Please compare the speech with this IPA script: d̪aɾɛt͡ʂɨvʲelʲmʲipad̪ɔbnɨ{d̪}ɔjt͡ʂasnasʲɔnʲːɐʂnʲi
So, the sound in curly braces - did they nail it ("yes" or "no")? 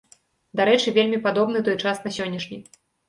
no